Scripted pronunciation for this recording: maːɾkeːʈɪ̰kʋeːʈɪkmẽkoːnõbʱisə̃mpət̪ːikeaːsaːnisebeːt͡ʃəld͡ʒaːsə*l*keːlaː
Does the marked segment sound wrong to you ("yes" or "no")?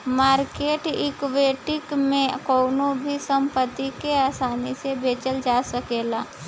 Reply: yes